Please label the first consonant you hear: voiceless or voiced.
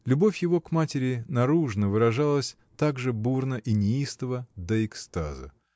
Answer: voiced